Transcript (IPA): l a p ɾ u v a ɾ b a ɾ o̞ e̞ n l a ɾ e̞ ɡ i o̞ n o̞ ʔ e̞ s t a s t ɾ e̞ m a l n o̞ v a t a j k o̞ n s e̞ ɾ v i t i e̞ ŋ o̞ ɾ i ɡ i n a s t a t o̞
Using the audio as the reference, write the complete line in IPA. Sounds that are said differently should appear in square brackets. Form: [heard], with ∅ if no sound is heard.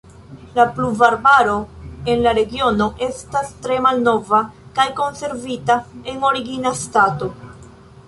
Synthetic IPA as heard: l a p [l] u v a ɾ b a ɾ o̞ e̞ n l a ɾ e̞ ɡ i o̞ n o̞ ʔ e̞ s t a s t ɾ e̞ m a l n o̞ v a [k] a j k o̞ n s e̞ ɾ v i t [a] e̞ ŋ o̞ ɾ i ɡ i n a s t a t o̞